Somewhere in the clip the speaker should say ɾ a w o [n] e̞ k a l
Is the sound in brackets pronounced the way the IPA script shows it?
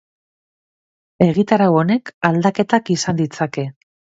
yes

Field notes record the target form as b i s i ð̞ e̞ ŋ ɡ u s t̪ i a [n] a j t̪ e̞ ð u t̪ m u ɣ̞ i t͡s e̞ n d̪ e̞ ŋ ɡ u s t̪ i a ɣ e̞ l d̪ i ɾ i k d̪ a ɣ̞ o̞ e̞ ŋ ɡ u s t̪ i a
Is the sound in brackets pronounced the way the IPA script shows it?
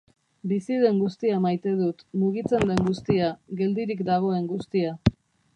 no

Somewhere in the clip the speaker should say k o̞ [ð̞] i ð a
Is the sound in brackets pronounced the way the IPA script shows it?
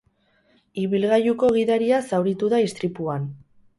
no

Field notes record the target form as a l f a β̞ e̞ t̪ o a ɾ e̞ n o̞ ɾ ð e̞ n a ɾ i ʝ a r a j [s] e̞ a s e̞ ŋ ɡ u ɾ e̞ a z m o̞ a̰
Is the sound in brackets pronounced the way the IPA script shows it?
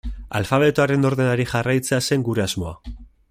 no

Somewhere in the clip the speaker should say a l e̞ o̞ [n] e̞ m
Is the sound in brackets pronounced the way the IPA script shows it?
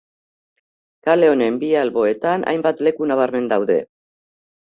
yes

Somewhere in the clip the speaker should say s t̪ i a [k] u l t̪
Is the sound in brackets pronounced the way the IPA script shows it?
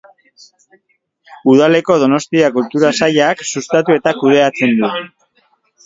yes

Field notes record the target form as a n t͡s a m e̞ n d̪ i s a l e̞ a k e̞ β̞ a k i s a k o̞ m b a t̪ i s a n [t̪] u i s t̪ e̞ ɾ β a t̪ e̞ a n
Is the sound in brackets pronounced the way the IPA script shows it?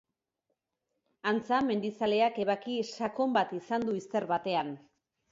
no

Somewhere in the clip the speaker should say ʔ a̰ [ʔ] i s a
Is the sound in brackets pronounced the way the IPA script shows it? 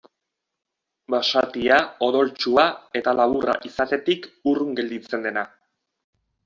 yes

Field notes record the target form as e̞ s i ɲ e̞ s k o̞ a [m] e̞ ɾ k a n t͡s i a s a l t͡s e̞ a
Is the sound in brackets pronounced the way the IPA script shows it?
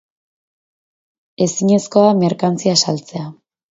yes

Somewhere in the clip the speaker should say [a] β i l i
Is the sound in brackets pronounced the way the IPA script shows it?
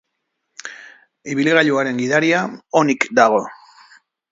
no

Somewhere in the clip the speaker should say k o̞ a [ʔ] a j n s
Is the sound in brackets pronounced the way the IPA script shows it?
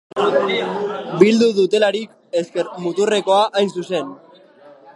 yes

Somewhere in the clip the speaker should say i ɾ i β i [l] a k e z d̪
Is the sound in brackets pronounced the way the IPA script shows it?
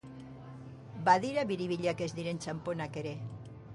no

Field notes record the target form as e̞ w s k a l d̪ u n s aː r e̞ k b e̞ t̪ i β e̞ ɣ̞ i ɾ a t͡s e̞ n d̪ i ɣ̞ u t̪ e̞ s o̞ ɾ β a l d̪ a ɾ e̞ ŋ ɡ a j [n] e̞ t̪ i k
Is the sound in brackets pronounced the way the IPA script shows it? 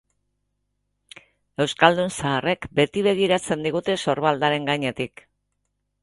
no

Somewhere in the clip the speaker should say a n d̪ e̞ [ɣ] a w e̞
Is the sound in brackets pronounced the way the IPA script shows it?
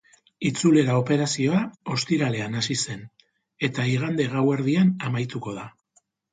yes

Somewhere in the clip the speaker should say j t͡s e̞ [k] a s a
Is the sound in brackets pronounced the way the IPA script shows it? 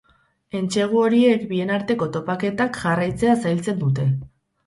no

